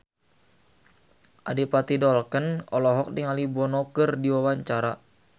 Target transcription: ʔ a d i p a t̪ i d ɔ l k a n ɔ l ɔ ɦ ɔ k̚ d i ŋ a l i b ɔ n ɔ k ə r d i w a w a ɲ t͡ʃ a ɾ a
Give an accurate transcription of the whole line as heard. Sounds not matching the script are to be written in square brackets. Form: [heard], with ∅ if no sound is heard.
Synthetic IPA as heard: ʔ a d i p a t̪ i d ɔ l k [ə] n ɔ l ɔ ɦ ɔ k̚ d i ŋ a l i b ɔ n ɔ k ə r d i w a w a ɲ t͡ʃ a ɾ a

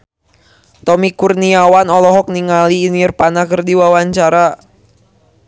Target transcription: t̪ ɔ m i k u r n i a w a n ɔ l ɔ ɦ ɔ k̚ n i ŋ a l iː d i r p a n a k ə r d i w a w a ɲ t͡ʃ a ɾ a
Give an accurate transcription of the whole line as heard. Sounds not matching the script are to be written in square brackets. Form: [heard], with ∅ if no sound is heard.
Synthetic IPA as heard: t̪ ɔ m i k u r n i a w a n ɔ l ɔ ɦ ɔ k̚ n i ŋ a l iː [n] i r p a n a k ə r d i w a w a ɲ t͡ʃ a ɾ a

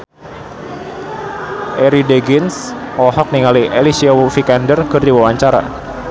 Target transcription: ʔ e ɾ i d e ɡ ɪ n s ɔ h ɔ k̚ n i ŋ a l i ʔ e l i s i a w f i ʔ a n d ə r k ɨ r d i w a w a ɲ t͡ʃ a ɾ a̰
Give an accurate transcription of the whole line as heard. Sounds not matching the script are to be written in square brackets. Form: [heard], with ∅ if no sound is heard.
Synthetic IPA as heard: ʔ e ɾ i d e ɡ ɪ n s ɔ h ɔ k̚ n i ŋ a l i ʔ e l i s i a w f i [k] a n d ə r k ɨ r d i w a w a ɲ t͡ʃ a ɾ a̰

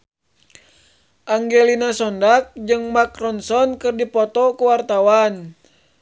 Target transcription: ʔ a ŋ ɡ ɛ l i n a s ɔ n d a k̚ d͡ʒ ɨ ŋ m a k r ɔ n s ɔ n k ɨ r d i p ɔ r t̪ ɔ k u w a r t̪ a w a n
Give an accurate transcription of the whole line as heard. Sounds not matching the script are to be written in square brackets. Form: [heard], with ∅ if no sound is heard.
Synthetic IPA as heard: ʔ a ŋ ɡ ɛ l i n a s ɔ n d a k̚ d͡ʒ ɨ ŋ m a k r ɔ n s ɔ n k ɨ r d i p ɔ [∅] t̪ ɔ k u w a r t̪ a w a n

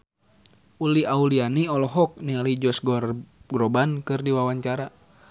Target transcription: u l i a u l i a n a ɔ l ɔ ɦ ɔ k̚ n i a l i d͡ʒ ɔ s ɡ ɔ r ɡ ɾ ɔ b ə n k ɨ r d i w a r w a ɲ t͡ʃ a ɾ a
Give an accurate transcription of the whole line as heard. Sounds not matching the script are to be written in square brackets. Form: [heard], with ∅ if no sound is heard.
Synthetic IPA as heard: u l i a u l i a n [i] ɔ l ɔ ɦ ɔ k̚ n i a l i d͡ʒ ɔ s ɡ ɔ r ɡ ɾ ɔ b [a] n k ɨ r d i w a [∅] w a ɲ t͡ʃ a ɾ a

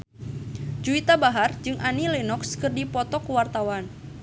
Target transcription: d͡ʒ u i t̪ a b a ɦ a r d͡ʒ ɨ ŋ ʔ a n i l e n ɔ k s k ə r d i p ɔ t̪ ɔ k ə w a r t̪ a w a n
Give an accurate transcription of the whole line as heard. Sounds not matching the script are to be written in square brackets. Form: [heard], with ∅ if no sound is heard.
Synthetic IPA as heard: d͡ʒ u i t̪ a b a ɦ a r d͡ʒ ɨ ŋ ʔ a n i l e n ɔ k s k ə r d i p ɔ t̪ ɔ k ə w a r t̪ a w a n

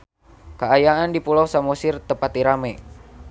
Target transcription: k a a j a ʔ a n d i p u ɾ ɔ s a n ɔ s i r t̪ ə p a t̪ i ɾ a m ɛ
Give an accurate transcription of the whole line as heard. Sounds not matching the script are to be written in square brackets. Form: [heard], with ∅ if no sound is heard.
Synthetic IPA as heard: k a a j a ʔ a n d i p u [l] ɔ s a [m] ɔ s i r t̪ ə p a t̪ i ɾ a m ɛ

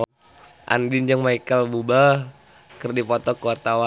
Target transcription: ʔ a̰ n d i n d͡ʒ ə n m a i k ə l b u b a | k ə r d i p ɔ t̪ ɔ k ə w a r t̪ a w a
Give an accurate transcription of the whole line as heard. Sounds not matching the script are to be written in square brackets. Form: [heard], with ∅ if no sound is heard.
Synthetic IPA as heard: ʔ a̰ n d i n d͡ʒ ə [ŋ] m a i k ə l b u b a | k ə r d i p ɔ t̪ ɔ k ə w a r t̪ a w a

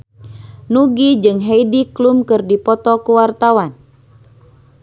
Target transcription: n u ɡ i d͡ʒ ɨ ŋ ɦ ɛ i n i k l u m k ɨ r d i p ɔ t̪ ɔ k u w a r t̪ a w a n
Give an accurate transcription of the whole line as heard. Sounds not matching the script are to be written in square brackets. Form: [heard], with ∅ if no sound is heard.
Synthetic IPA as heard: n u ɡ i d͡ʒ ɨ ŋ ɦ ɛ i [d] i k l u m k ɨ r d i p ɔ t̪ ɔ k u w a r t̪ a w a n

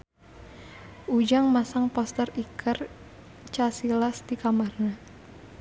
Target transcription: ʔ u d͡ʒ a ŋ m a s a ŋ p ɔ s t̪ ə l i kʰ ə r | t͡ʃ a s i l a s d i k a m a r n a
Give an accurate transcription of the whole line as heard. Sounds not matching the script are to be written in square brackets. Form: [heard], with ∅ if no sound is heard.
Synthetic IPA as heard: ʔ u d͡ʒ a ŋ m a s a ŋ p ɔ s t̪ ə [r] i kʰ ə r | t͡ʃ a s i l a s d i k a m a r n a

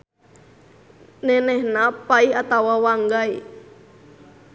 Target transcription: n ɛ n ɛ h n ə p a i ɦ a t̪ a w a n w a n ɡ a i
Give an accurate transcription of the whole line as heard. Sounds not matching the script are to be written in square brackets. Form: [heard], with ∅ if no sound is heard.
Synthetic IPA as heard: n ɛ n ɛ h n [a] p a i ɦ a t̪ a w a [∅] w a [ŋ] ɡ a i

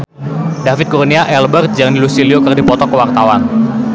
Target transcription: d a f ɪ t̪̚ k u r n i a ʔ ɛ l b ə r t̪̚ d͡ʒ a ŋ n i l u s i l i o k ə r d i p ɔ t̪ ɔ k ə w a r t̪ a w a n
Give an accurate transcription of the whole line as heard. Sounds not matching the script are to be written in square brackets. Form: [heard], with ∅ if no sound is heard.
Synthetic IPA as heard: d a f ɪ t̪̚ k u r n i a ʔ ɛ l b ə r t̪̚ d͡ʒ a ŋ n i l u s i l i o k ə r d i p ɔ t̪ ɔ k ə w a r t̪ a w a n

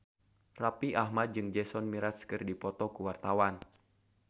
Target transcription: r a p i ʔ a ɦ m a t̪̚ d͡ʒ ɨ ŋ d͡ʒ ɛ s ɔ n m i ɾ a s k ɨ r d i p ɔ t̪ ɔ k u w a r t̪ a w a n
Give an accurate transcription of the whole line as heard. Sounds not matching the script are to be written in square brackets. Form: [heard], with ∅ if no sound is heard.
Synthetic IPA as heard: r a p i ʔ a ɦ m a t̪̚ d͡ʒ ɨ ŋ d͡ʒ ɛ s ɔ n m i ɾ a s k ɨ r d i p ɔ t̪ ɔ k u w a r t̪ a w a n

